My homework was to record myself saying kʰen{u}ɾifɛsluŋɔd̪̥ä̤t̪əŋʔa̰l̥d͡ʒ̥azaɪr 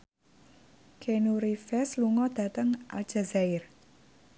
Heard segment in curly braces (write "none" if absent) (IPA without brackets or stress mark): u